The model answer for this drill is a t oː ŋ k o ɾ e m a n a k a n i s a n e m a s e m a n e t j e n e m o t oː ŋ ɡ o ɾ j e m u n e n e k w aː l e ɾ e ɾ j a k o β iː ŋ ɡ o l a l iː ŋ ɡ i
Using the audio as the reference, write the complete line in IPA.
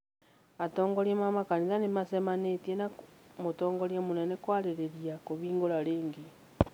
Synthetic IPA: a t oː ŋ ɡ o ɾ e m a m a k a n i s a n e m a s e m a n e t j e n a m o t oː ŋ ɡ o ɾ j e m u n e n e k w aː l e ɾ e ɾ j a k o β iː ŋ ɡ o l a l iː ŋ ɡ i

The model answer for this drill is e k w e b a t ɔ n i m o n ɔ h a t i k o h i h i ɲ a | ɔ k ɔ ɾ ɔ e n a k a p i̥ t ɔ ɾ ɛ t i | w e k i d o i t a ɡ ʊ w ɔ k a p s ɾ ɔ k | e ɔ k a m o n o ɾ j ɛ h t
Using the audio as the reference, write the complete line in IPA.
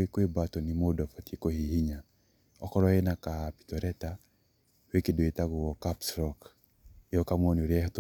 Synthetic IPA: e k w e b a t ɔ n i m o d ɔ f a t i k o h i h i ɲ a | ɔ k ɔ ɾ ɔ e n a k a p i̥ t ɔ ɾ ɛ t a | w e k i d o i t a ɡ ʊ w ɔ k a p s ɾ ɔ k | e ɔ k a m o n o ɾ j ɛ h t

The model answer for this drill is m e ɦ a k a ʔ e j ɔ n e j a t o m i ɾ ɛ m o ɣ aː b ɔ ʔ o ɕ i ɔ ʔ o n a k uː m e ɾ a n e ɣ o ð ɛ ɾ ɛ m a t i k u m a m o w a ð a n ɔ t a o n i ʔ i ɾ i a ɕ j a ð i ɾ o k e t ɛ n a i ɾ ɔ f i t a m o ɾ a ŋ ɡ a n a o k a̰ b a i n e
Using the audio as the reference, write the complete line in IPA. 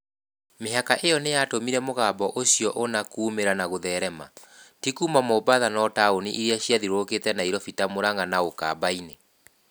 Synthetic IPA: m e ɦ a k a ʔ e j ɔ n e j a t o m i ɾ ɛ m o ɣ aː b ɔ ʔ o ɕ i ɔ ʔ o n a k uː m e ɾ a n a ɣ o ð ɛ ɾ ɛ m a t i k u m a m o b a ð a n ɔ t a o n i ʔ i ɾ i a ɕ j a ð i ɾ o k e t ɛ n a i ɾ ɔ f i t a m o ɾ a ŋ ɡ a n a o k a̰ b a i n e

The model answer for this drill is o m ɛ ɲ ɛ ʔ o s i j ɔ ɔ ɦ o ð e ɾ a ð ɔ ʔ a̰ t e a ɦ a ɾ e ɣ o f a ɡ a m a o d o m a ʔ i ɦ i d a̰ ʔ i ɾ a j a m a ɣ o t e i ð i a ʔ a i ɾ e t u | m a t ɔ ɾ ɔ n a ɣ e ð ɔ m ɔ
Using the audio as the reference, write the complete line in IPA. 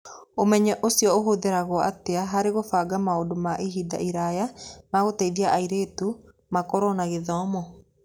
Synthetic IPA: o m ɛ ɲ ɛ ʔ o s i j ɔ o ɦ o ð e ɾ a ɣ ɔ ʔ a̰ t e a ɦ a ɾ e ɣ o f a ɡ a m a o d o m a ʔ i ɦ i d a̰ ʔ i ɾ a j a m a ɣ o t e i ð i a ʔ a i ɾ e t u | m a k ɔ ɾ ɔ n a ɣ e ð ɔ m ɔ

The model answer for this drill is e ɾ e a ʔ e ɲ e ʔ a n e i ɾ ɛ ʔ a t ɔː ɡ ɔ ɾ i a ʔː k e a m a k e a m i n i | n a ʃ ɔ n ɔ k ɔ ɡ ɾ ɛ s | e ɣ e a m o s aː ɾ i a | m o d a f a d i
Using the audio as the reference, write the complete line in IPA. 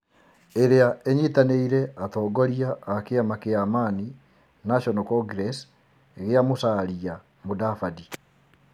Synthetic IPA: e ɾ e a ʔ e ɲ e t a n e i ɾ ɛ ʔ a t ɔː ɡ ɔ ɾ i a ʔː k e a m a k e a m a n i | n a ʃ ɔ n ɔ k ɔ ɡ ɾ ɛ s | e ɣ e a m o s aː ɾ i a | m o d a f a d i

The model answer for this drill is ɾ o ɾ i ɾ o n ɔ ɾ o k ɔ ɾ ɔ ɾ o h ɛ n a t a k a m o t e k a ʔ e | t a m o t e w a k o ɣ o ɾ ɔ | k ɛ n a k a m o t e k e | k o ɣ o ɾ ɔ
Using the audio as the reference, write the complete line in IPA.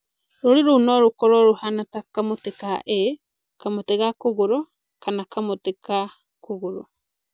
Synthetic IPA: ɾ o ɾ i ɾ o n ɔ ɾ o k ɔ ɾ ɔ ɾ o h a n a t a k a m o t e k a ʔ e | k a m o t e ɣ a k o ɣ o ɾ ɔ | k a n a k a m o t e k a | k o ɣ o ɾ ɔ

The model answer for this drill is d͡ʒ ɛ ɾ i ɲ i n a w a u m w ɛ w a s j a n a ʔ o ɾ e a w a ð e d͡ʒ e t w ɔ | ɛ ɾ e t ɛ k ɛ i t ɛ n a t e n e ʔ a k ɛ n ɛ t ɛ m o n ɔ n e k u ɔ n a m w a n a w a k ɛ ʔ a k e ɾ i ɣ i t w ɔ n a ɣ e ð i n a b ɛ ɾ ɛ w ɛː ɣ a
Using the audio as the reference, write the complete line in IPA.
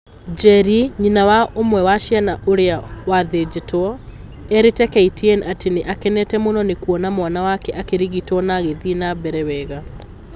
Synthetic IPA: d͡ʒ ɛ ɾ i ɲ i n a w a o m w ɛ w a ʃ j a n a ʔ o ɾ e a w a ð e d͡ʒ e t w ɔ | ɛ ɾ e t ɛ k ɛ i t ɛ n a t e n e ʔ a k ɛ n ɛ t ɛ m o n ɔ n e k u ɔ n a m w a n a w a k ɛ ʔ a k e ɾ i ɣ i t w ɔ n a ɣ e ð i n a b ɛ ɾ ɛ w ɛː ɣ a

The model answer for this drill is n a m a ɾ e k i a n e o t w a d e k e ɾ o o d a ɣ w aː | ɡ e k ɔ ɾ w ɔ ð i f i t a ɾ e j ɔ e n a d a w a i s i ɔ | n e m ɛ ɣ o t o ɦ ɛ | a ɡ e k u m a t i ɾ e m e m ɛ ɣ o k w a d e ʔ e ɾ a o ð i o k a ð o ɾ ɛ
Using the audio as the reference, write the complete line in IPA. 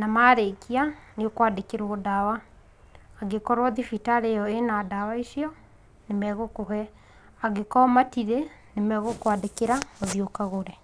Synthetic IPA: n a m a ɾ e k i a n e o k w a d e k e ɾ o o d a w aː | ɡ e k ɔ ɾ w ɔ ð i f i t a ɾ e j ɔ e n a d a w a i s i ɔ | n e m ɛ ɣ o k o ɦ ɛ | a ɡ e k ɔ m a t i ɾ e n e m ɛ ɣ o k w a d e k e ɾ a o ð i o k a ɣ o ɾ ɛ

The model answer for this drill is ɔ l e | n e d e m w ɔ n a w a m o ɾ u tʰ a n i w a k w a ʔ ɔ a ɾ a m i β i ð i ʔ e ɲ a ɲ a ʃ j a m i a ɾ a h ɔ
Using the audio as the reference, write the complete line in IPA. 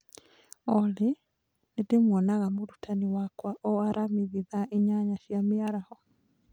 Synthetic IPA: ɔ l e | n e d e m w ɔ n a ɣ a m o ɾ u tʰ a n i w a k w a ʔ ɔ a ɾ a m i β i ð a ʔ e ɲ a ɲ a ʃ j a m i a ɾ a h ɔ

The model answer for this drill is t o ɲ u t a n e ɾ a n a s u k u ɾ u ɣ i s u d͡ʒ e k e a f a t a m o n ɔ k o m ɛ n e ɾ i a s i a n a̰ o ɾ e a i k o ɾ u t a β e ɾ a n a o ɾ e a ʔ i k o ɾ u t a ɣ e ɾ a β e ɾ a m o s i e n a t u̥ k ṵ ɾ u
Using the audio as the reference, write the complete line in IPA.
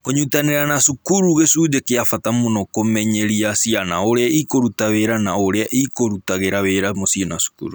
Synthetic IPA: k o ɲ u t a n e ɾ a n a s u k u ɾ u ɣ e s u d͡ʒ e k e a f a t a m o n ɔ k o m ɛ ɲ e ɾ i a s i a n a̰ o ɾ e a i k o ɾ u t a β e ɾ a n a o ɾ e a ʔ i k o ɾ u t a ɣ e ɾ a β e ɾ a m o s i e n a s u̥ k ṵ ɾ u

